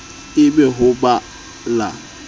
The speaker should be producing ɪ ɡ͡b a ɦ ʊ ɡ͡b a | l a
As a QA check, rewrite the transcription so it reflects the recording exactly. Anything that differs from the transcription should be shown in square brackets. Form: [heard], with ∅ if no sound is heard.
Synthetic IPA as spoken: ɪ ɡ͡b [e] ɦ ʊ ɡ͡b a | l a